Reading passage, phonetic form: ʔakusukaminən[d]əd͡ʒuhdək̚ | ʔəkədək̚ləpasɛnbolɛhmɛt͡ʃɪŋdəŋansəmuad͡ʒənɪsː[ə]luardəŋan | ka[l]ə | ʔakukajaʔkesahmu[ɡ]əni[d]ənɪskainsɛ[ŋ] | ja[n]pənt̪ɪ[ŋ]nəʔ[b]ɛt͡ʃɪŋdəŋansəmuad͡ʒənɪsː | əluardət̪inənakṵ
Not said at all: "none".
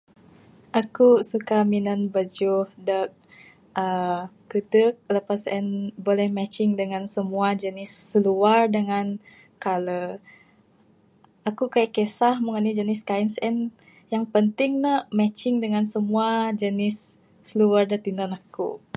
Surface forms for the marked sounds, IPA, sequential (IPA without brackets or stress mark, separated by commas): b, ə, l, ŋ, d͡ʒ, n, ŋ, ŋ, m